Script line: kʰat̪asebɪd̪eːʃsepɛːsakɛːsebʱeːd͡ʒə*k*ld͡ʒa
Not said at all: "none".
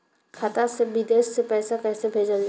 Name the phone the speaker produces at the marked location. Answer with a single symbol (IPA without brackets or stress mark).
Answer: none